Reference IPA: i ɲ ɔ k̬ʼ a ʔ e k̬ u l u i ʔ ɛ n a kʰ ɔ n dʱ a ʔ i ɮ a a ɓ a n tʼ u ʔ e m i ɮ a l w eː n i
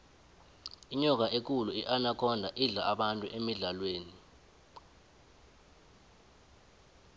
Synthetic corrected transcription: i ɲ ɔ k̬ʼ a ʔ e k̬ u l u i ʔ a n a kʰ ɔ n dʱ a ʔ i ɮ a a ɓ a n tʼ u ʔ e m i ɮ a l w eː n i